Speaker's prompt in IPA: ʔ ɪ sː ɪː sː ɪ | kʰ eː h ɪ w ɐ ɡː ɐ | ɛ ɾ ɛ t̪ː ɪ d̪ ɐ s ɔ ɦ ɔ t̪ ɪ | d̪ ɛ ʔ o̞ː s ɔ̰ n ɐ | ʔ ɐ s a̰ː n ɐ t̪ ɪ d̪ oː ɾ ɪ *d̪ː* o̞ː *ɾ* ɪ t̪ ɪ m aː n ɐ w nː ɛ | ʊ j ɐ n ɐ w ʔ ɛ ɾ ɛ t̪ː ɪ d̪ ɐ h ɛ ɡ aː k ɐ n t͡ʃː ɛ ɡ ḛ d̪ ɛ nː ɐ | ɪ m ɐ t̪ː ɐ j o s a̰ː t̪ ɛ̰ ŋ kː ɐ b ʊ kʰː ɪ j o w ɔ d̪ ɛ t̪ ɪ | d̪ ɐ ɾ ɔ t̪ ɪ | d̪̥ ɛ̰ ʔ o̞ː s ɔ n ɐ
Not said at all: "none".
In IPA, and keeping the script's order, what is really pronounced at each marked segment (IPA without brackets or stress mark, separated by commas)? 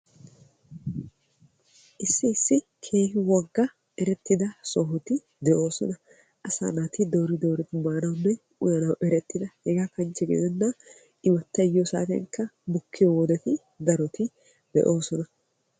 d̪, ɾ